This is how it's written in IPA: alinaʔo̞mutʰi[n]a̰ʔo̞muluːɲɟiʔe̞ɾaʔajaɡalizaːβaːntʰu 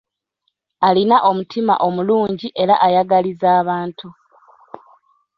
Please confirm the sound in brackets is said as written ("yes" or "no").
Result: no